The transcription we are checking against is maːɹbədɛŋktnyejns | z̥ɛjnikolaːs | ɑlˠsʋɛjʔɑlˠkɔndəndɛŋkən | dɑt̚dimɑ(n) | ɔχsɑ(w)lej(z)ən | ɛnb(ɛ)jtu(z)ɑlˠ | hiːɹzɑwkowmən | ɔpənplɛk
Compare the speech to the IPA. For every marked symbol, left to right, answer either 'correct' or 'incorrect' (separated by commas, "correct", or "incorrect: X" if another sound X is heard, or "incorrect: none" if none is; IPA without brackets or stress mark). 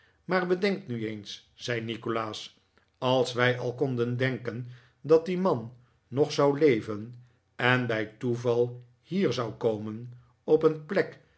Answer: incorrect: nː, correct, incorrect: v, correct, incorrect: v